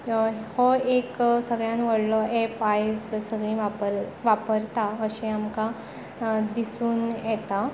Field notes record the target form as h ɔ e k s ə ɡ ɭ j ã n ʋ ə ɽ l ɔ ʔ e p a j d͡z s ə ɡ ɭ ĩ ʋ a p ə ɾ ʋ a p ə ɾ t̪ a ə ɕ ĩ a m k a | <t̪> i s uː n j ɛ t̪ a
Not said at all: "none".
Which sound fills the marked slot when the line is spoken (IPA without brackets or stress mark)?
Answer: d̪